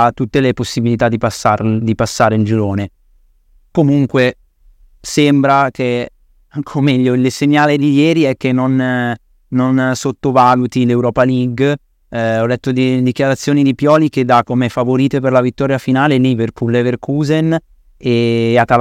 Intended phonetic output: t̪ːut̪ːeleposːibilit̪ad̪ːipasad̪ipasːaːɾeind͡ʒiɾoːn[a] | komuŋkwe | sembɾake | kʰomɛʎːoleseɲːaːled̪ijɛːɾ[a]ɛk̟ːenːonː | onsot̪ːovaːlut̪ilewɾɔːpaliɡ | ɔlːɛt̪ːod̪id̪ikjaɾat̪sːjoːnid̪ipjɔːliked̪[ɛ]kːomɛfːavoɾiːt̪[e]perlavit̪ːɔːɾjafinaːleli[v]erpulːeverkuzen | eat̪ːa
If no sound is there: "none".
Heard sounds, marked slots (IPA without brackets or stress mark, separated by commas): e, i, a, e, v